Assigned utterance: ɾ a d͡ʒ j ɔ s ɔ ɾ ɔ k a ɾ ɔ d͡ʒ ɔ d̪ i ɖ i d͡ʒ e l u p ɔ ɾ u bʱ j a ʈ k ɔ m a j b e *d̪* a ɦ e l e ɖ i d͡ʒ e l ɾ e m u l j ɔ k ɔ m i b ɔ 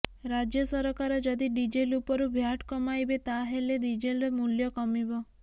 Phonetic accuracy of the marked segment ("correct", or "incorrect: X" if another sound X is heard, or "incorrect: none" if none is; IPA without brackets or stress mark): incorrect: t̪